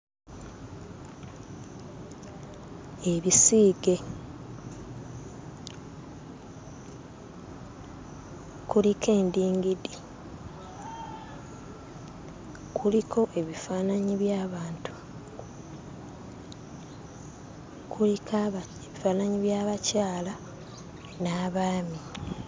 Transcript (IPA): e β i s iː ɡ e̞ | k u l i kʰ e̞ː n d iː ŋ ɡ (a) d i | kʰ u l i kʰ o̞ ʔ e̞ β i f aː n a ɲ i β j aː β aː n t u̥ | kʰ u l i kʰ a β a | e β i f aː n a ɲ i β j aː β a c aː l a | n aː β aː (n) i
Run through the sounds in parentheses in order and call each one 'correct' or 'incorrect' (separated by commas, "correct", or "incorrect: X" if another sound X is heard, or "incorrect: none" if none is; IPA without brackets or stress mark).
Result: incorrect: i, incorrect: m